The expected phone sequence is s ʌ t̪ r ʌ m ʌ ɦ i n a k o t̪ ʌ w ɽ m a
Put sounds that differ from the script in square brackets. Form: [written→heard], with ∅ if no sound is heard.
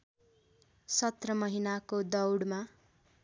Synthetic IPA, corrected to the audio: s ʌ t̪ r ʌ m ʌ ɦ i n a k o [t̪→d̪] ʌ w ɽ m a